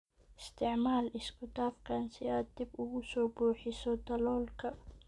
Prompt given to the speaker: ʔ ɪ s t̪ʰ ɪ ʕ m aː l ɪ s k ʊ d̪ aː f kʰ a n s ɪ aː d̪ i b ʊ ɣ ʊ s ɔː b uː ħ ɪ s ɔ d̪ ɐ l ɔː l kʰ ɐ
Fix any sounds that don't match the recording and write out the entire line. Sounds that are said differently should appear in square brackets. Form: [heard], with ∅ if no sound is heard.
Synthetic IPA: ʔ ɪ s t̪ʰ ɪ ʕ m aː l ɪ s k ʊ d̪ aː f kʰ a n s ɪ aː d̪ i b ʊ ɣ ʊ s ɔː b uː ħ ɪ s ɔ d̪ ɐ l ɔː l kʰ ɐ